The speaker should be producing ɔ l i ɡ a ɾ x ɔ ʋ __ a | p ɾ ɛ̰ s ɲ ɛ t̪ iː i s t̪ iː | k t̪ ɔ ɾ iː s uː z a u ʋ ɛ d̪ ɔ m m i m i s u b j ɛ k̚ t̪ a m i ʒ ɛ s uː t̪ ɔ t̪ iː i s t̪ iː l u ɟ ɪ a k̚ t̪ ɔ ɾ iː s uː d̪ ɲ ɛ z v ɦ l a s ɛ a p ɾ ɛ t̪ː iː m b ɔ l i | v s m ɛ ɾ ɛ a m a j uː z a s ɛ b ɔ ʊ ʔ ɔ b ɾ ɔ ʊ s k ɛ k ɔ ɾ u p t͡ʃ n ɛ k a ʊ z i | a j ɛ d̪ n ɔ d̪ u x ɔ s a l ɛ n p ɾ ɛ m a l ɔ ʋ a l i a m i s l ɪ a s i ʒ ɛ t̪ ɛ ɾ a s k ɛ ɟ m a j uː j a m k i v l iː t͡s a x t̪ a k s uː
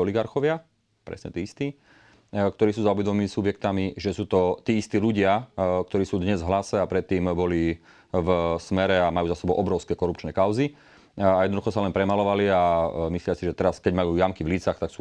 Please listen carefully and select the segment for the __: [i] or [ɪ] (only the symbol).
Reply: ɪ